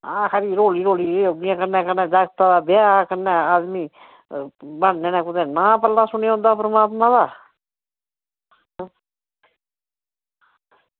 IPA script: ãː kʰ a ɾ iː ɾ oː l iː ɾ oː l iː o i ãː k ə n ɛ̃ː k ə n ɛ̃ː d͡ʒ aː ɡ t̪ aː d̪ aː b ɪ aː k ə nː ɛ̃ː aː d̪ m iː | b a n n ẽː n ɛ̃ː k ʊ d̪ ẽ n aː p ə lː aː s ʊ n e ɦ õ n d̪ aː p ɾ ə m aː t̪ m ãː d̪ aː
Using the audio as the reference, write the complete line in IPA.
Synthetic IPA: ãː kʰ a ɾ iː ɾ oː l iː ɾ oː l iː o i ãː k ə n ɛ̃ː k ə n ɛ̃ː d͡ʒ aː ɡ t̪ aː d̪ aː b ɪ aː k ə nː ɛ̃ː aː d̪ m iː | b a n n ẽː n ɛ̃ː k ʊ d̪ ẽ n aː p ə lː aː s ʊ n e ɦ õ n d̪ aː p ɾ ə m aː t̪ m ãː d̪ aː